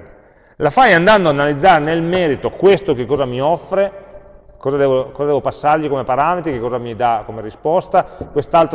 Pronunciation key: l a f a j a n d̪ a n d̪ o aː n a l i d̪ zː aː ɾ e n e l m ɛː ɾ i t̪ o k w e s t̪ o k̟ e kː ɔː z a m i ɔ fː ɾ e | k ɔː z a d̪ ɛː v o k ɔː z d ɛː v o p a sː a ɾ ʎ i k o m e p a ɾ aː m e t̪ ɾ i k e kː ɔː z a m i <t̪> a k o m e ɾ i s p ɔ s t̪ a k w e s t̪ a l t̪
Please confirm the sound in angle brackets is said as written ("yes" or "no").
no